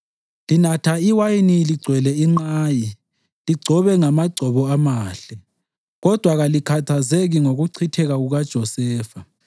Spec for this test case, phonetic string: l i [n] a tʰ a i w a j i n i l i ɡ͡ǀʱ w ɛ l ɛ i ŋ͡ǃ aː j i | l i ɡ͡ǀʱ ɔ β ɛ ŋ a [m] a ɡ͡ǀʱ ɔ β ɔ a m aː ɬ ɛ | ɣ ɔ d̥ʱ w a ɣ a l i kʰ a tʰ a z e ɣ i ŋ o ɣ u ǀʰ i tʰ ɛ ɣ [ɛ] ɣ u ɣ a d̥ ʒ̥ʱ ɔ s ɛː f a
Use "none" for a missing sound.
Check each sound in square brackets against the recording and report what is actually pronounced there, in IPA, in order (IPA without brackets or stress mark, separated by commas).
n, m, a